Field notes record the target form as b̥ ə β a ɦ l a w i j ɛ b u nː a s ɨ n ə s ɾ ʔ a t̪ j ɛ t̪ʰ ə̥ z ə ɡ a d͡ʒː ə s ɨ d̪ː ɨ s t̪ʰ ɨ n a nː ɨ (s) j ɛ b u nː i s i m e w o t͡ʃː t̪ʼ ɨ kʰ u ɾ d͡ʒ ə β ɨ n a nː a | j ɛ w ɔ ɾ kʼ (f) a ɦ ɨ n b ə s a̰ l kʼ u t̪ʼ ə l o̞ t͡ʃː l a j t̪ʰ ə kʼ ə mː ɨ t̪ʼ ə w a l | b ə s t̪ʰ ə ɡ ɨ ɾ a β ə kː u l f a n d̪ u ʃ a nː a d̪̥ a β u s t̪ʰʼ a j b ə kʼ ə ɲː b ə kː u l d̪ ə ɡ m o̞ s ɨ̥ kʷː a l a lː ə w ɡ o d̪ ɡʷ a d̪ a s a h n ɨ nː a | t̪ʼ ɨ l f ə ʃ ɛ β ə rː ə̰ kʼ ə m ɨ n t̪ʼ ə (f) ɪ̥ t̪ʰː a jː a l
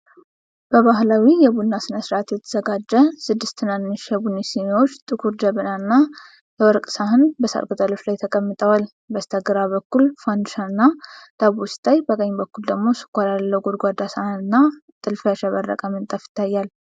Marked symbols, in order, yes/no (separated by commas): no, no, yes